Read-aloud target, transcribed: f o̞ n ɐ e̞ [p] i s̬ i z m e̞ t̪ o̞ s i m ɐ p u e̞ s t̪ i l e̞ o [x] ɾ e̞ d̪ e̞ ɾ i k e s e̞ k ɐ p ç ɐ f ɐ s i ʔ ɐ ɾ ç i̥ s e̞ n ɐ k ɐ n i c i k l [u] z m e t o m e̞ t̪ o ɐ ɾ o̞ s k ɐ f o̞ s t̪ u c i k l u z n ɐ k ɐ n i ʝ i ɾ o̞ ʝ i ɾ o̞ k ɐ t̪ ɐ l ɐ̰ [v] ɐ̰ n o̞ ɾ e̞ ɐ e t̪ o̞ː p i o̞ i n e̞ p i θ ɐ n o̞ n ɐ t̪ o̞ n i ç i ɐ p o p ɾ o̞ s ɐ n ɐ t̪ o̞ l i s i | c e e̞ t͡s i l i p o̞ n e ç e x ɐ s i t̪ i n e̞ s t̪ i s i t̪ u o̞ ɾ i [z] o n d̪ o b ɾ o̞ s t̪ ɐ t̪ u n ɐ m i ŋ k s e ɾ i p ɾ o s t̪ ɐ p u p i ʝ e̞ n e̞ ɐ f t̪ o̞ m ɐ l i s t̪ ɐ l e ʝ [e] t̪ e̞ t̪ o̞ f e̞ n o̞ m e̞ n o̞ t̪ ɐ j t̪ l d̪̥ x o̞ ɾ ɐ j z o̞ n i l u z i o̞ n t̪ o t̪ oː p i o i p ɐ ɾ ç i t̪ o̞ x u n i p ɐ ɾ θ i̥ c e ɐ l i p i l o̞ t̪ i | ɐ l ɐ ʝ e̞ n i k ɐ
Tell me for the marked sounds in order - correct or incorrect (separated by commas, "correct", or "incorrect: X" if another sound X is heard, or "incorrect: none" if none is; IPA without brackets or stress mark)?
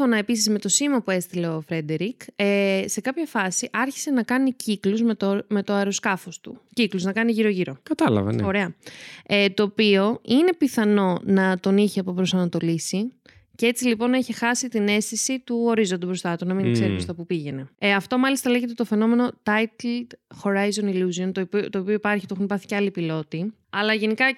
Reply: correct, incorrect: f, correct, correct, correct, correct